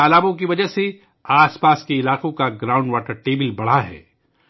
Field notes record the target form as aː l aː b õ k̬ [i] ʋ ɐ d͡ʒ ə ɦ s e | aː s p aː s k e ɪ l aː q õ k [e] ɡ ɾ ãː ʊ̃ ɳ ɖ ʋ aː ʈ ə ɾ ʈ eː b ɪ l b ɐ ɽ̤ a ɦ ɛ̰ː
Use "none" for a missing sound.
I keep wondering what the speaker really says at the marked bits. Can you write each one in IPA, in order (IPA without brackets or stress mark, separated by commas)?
i, a